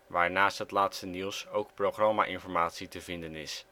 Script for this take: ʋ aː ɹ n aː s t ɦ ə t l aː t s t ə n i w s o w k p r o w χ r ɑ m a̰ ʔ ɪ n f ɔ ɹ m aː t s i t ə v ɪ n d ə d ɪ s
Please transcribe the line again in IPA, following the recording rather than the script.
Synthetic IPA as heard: ʋ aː ɹ n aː s t ɦ ə t l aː t s t ə n i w s o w k p r o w χ r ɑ m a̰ ʔ ɪ n f ɔ ɹ m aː t s i t ə v ɪ n d ə n ɪ s